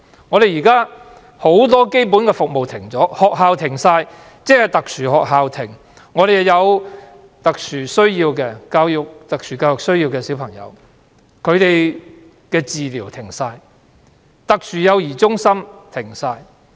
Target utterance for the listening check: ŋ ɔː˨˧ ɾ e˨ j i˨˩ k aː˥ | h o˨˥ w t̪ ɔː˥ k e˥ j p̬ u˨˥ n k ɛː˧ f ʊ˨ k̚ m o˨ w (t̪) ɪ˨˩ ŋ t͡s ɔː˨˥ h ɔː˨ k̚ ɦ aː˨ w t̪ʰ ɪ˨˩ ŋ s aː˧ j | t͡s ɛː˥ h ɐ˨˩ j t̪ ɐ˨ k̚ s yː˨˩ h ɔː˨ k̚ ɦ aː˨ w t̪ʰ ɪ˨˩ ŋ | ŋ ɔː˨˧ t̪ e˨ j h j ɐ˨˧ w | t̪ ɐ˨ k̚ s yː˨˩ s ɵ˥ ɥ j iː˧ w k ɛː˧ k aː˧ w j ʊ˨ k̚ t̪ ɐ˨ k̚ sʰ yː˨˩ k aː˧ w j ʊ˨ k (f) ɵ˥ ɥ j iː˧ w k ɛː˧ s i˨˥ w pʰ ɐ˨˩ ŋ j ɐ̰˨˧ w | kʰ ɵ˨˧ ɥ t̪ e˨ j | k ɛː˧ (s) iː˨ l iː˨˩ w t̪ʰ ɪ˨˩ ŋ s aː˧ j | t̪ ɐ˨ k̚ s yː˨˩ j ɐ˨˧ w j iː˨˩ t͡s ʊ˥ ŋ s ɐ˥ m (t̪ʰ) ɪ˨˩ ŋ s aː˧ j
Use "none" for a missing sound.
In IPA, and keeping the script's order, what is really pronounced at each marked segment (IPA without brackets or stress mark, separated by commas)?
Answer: t̪ʰ, s, t͡s, t̪ʰ